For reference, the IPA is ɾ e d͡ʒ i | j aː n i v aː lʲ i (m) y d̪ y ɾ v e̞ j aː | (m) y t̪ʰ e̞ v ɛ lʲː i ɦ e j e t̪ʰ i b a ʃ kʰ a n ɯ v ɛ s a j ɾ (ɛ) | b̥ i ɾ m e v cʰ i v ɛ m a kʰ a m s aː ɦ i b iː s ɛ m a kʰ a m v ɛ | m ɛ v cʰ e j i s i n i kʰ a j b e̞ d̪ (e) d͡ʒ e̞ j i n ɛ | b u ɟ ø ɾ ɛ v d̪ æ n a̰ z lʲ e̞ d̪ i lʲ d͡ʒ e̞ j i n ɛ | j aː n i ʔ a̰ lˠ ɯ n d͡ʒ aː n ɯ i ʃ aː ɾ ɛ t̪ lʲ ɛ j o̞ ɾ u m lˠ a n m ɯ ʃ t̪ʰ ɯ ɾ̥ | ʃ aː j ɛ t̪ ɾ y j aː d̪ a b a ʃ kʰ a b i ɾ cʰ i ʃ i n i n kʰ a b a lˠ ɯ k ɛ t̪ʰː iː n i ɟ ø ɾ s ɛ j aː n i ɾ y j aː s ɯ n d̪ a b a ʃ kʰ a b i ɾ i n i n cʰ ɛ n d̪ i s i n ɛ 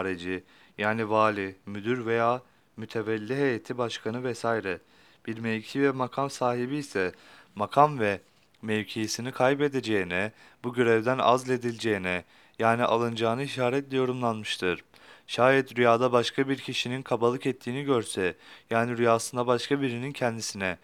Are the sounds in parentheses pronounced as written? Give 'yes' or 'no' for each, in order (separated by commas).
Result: yes, yes, yes, yes